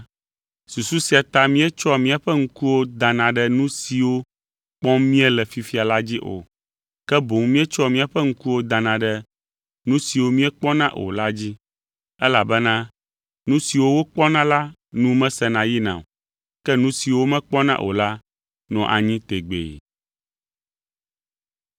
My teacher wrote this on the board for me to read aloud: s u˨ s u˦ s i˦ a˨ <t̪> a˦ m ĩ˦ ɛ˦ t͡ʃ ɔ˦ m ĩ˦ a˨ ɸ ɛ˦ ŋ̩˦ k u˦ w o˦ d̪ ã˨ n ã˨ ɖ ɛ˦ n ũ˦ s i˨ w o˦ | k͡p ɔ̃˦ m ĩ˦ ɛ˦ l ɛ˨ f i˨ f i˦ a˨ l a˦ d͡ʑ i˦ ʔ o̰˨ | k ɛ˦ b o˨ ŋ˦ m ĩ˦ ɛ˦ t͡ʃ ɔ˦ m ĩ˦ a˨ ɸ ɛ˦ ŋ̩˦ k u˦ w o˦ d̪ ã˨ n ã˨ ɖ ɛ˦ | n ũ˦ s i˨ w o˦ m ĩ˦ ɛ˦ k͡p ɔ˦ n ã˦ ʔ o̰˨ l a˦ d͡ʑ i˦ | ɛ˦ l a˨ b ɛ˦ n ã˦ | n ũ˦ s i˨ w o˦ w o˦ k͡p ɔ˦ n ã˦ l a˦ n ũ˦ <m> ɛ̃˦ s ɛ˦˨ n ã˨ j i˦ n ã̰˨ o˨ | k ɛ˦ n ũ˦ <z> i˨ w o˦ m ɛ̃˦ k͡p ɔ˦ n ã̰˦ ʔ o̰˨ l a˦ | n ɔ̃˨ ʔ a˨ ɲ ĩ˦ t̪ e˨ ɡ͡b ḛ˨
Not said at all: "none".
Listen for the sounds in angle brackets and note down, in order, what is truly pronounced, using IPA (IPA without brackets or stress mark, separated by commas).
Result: t̪, m, s